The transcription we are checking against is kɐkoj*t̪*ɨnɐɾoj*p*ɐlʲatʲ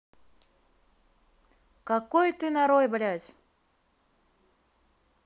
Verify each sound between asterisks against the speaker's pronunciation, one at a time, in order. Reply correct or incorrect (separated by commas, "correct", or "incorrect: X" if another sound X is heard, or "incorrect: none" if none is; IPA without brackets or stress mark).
correct, incorrect: b